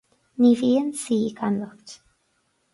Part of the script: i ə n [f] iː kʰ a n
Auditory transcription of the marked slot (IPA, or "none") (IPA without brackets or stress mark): s